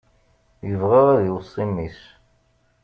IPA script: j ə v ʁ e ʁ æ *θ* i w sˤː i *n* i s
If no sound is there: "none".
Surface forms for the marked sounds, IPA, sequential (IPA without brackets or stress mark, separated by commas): ð, m